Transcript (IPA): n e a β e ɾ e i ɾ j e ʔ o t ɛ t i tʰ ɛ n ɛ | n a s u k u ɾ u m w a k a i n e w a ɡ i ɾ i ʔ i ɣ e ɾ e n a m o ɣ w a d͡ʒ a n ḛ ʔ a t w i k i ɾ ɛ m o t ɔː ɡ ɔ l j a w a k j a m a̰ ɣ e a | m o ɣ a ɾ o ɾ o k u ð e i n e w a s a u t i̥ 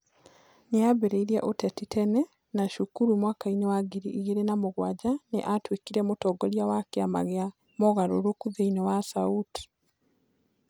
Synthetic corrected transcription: n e a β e ɾ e i ɾ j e ʔ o t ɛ t i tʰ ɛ n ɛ | n a ʃ u k u ɾ u m w a k a i n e w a ɡ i ɾ i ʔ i ɣ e ɾ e n a m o ɣ w a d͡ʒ a n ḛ ʔ a t w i k i ɾ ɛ m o t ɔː ɡ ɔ l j a w a k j a m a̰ ɣ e a | m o ɣ a ɾ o ɾ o k u ð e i n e w a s a u t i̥